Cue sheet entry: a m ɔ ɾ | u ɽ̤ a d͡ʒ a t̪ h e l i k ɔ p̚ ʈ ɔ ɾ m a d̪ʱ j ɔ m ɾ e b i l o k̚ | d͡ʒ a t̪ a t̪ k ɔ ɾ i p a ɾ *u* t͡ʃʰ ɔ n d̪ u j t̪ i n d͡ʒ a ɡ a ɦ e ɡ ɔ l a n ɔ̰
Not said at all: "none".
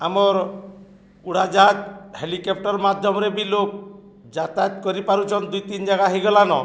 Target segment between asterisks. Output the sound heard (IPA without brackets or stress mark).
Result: u